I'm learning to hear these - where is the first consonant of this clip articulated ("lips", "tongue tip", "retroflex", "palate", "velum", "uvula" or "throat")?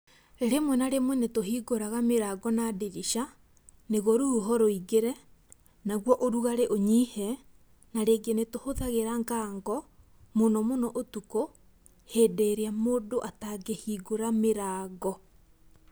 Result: tongue tip